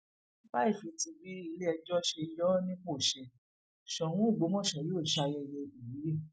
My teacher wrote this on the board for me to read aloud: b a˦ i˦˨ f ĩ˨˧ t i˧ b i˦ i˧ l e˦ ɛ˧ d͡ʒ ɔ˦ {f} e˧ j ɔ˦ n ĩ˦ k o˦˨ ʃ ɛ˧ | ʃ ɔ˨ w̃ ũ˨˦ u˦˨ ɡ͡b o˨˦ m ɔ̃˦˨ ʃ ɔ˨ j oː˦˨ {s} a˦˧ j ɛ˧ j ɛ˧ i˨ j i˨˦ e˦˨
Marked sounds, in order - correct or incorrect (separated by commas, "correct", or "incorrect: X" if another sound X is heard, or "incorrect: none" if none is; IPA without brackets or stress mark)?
incorrect: ʃ, incorrect: ʃ